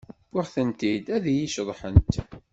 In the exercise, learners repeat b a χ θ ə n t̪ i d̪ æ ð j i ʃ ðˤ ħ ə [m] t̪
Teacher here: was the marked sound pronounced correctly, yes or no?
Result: no